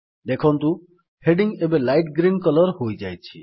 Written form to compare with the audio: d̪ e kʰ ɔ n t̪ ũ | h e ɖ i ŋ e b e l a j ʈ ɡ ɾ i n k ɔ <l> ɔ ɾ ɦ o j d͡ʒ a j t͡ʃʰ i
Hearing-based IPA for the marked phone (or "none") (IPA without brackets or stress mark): l